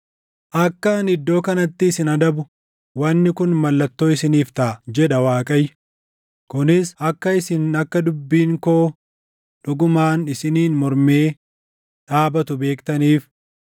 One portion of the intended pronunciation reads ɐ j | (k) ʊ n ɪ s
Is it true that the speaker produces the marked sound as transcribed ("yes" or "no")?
yes